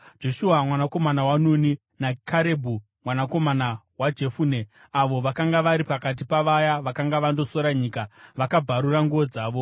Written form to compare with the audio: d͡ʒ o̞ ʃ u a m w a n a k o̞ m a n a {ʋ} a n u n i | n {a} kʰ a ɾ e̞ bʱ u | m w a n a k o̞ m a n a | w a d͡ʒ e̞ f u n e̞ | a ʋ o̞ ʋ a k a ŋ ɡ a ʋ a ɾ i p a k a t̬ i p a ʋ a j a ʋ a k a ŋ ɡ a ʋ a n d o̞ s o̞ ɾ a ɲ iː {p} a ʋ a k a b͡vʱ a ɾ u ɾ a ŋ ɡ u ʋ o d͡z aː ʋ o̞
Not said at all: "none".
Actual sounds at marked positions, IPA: w, a, k

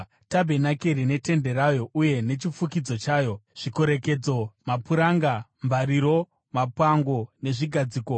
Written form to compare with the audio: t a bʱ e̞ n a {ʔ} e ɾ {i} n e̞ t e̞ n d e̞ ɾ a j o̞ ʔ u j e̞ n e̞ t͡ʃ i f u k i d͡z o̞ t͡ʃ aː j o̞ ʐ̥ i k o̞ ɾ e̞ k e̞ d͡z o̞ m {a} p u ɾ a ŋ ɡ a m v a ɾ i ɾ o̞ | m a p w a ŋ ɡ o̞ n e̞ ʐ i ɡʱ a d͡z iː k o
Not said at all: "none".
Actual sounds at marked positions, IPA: k, i, a

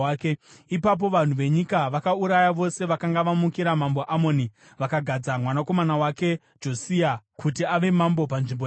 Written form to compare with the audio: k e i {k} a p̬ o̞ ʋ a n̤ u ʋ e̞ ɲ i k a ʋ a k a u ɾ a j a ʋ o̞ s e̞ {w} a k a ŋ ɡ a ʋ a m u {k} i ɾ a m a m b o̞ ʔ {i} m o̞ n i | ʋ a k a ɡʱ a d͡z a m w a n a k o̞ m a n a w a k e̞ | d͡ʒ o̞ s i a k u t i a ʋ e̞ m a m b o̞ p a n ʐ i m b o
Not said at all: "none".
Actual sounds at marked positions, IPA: p, ʋ, k, a

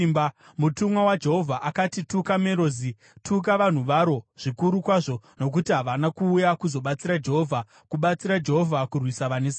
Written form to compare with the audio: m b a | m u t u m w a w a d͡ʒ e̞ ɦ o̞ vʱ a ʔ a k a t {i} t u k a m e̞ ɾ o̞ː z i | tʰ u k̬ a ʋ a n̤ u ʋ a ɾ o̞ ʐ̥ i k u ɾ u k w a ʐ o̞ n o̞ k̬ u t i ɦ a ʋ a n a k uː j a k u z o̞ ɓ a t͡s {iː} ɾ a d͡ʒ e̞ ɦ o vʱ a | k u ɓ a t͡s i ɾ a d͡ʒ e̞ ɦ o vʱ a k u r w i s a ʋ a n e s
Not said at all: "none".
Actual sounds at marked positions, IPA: i, i

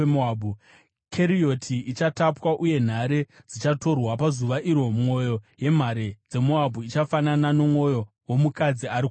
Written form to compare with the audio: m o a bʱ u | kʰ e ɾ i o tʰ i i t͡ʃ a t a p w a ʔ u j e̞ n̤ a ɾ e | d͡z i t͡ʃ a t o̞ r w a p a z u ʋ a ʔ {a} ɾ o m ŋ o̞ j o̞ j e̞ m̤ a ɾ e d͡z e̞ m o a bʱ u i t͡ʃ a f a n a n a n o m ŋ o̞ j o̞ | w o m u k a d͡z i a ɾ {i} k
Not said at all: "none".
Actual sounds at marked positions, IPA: i, i

